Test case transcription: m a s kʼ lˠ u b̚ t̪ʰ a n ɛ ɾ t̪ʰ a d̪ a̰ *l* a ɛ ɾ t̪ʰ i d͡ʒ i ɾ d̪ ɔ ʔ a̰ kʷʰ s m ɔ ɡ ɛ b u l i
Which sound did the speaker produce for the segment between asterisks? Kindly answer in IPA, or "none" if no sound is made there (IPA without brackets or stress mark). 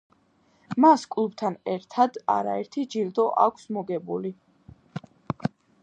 ɾ